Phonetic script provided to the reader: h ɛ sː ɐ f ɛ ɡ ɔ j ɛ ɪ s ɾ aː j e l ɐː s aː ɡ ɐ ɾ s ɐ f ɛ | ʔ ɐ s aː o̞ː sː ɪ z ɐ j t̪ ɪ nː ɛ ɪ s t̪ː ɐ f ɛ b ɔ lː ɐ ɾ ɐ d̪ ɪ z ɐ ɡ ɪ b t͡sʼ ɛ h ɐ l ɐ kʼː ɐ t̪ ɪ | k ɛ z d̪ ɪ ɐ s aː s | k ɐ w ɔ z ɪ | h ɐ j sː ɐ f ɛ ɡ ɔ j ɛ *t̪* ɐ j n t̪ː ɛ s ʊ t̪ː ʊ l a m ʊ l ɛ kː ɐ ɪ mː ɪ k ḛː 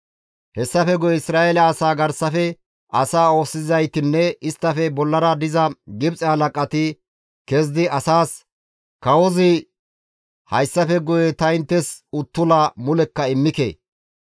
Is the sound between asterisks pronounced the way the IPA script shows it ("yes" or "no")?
yes